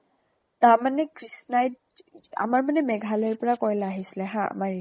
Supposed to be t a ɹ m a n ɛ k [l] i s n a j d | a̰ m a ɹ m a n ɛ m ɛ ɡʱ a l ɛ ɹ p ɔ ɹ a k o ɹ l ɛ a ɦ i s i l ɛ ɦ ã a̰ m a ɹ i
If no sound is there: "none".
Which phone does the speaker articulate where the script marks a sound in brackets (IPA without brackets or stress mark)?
ɹ